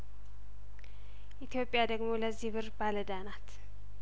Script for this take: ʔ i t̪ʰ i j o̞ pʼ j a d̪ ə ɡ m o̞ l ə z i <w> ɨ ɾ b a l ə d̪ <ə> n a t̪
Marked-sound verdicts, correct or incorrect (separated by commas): incorrect, incorrect